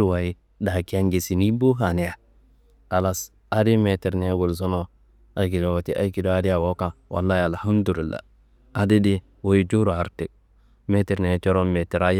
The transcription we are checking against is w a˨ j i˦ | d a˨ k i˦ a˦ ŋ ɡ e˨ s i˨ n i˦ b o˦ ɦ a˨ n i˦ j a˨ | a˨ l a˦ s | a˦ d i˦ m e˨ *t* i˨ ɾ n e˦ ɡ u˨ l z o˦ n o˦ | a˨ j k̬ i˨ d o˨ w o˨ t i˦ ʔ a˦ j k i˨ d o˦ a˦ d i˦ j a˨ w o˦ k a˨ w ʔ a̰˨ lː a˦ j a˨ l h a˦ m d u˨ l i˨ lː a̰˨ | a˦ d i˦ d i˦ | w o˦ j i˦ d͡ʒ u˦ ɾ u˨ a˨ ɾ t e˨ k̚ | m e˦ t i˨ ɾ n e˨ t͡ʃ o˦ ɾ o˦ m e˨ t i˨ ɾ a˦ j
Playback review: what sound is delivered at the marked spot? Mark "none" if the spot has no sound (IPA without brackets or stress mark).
t